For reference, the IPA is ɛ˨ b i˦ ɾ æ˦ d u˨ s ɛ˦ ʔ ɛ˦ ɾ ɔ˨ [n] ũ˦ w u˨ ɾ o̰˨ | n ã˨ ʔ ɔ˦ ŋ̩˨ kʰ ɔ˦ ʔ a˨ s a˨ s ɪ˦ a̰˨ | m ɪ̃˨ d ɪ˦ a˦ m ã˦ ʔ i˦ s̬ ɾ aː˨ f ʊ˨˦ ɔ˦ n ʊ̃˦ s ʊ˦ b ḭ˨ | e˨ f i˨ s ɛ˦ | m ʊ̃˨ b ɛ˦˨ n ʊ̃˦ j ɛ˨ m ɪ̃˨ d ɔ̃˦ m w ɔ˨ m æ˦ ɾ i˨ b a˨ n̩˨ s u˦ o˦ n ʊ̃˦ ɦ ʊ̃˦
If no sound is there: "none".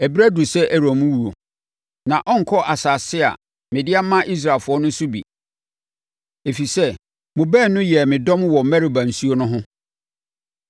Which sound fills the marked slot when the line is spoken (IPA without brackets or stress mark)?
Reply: m